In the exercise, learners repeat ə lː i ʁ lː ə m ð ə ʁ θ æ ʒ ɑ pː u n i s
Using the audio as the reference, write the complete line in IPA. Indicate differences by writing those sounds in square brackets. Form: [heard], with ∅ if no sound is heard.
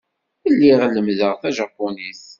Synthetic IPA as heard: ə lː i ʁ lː ə m ð ə ʁ θ æ ʒ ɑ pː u n i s

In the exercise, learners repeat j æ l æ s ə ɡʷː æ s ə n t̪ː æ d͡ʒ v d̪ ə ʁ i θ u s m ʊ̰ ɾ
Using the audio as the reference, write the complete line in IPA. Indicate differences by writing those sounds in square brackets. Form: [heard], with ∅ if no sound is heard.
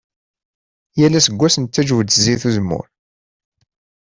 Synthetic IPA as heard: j æ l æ s ə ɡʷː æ s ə n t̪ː æ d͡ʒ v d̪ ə [z] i θ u [z] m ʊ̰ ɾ

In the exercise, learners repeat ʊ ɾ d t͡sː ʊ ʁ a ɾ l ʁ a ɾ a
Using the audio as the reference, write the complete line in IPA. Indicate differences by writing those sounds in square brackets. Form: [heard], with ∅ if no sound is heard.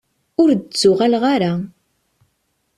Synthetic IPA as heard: ʊ ɾ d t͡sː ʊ ʁ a [∅] l ʁ a ɾ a

